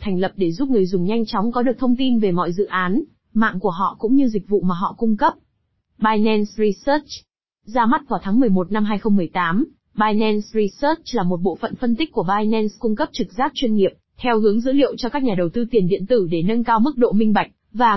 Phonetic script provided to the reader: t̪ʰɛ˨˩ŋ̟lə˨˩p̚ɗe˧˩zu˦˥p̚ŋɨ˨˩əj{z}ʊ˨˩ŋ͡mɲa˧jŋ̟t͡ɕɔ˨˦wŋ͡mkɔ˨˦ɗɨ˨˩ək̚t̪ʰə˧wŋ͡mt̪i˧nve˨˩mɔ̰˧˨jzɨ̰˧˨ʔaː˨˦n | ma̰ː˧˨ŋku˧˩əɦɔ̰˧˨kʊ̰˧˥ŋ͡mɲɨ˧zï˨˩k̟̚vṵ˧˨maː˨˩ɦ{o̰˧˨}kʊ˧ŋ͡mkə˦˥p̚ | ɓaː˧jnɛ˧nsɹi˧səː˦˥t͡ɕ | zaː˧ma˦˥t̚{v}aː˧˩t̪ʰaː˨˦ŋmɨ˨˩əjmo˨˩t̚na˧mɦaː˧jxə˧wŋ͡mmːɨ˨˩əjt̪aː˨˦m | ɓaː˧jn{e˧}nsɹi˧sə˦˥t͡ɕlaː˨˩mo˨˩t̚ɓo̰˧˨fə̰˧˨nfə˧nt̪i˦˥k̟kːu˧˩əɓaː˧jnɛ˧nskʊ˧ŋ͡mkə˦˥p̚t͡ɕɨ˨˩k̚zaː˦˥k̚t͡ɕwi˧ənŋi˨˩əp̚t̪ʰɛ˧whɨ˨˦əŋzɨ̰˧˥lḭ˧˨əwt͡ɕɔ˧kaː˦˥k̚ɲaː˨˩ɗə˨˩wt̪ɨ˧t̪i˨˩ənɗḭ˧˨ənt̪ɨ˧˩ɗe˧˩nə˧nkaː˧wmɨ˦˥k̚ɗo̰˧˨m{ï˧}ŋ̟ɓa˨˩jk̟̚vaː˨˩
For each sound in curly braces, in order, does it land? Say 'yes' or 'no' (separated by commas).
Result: yes, no, yes, no, yes